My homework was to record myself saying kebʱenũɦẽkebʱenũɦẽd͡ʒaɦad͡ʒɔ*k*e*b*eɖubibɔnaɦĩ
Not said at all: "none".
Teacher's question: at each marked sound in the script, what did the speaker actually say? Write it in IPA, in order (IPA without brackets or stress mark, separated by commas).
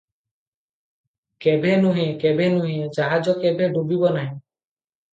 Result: k, b